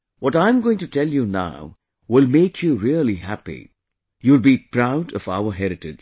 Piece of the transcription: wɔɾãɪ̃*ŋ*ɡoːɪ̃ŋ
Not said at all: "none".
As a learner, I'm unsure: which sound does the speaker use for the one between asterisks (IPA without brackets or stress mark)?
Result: m